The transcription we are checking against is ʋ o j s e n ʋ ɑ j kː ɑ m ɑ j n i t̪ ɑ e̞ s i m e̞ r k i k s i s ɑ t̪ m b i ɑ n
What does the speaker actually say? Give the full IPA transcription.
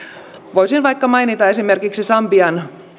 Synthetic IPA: ʋ o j s i n ʋ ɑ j kː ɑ m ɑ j n i t̪ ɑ e̞ s i m e̞ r k i k s i s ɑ m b i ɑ n